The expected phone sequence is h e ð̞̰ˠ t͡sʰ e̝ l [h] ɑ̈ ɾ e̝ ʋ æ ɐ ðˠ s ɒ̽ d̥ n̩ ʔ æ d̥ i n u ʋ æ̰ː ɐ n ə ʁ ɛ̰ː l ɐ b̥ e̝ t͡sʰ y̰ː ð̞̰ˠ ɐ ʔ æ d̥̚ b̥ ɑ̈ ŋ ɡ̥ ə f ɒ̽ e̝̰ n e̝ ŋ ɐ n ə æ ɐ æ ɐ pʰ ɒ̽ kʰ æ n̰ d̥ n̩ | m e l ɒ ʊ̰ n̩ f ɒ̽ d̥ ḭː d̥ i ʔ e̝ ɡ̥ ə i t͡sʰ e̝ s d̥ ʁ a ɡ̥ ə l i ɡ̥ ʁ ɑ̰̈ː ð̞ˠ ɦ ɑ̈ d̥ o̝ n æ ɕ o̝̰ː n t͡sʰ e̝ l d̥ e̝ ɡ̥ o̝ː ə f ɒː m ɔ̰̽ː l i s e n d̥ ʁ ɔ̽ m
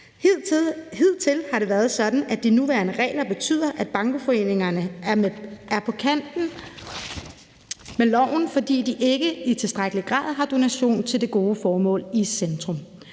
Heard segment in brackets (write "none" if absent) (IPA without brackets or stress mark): h